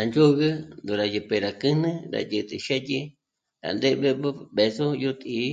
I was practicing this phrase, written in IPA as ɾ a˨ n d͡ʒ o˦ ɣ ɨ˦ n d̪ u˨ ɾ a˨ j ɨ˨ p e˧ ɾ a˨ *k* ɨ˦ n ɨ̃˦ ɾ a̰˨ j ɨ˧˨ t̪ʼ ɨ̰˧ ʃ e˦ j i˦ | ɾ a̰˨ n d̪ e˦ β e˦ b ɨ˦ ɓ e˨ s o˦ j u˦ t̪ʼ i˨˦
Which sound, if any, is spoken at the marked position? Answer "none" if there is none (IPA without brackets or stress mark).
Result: k